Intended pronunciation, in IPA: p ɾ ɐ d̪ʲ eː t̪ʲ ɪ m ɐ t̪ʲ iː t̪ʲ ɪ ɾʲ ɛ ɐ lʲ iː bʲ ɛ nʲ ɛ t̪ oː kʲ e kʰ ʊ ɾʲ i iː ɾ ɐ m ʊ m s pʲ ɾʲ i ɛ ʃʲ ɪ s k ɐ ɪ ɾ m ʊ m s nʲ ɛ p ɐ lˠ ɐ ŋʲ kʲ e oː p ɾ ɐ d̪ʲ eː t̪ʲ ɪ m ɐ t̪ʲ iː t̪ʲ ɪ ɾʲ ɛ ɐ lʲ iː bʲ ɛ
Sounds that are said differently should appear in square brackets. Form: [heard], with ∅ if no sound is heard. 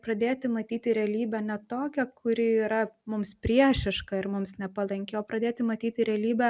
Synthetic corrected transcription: p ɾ ɐ d̪ʲ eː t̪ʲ ɪ m ɐ t̪ʲ iː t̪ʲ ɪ ɾʲ ɛ ɐ lʲ iː bʲ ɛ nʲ ɛ t̪ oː kʲ [ɛ] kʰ ʊ ɾʲ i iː ɾ ɐ m ʊ m s pʲ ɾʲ i ɛ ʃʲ ɪ [ʃ] k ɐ ɪ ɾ m ʊ m s nʲ ɛ p ɐ lˠ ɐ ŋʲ kʲ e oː p ɾ ɐ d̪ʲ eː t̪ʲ ɪ m ɐ t̪ʲ iː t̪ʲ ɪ ɾʲ ɛ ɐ lʲ iː bʲ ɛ